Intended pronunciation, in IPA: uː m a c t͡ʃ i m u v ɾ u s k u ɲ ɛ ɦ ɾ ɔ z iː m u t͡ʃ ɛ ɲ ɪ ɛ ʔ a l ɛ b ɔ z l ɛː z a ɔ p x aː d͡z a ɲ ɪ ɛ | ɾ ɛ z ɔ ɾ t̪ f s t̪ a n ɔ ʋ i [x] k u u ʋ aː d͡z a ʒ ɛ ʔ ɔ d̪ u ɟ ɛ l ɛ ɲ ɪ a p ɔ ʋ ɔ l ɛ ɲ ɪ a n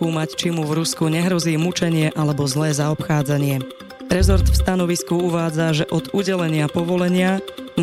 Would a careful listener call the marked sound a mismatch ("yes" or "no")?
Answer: yes